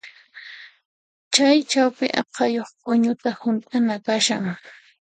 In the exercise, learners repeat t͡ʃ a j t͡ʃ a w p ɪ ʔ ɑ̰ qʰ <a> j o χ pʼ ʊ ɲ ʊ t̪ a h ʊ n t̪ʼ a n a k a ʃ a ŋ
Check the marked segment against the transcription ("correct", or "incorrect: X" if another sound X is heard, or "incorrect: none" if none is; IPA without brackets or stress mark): incorrect: ɑ